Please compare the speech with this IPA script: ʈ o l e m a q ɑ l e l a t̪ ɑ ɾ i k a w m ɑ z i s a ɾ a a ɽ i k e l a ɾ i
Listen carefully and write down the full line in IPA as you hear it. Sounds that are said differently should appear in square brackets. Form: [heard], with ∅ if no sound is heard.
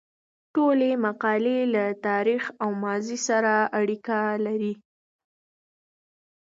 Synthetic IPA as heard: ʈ o l e m a q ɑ l e l a t̪ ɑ ɾ i [x] a w m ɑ z i s a ɾ a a ɽ i k [a] l a ɾ i